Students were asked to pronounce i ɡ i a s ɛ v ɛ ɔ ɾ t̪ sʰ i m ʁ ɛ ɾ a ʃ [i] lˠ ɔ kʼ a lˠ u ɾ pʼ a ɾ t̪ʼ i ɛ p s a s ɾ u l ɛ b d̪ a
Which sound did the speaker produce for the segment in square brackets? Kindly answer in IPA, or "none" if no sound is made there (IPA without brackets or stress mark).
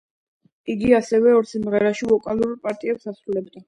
i